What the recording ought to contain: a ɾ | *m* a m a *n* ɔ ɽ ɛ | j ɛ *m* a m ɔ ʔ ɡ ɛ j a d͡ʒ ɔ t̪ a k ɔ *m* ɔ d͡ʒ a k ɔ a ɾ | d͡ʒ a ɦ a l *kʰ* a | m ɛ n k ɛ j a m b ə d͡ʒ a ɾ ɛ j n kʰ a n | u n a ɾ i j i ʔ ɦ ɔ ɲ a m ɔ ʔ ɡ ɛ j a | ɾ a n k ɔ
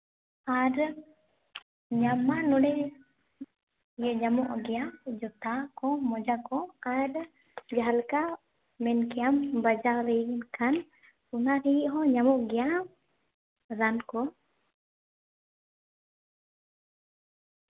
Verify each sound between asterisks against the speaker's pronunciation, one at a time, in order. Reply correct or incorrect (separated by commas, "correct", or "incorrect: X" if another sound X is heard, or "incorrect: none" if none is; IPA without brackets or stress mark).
incorrect: ɲ, correct, incorrect: ɲ, correct, incorrect: k